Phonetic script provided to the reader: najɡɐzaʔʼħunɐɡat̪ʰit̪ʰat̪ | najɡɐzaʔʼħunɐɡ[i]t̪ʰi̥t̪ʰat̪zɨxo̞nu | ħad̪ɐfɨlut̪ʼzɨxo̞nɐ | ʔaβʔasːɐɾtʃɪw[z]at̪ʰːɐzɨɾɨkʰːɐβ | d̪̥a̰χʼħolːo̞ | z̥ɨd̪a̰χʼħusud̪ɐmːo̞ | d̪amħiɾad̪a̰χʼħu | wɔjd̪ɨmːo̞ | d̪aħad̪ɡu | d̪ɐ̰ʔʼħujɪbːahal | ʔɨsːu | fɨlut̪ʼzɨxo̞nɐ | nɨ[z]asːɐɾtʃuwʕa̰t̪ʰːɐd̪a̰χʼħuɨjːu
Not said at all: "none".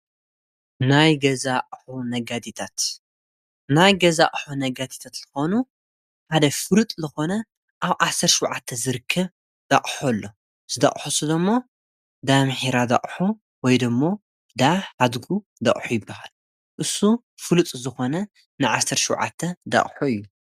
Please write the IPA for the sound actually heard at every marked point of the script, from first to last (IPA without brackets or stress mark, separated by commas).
a, ʕ, ʕ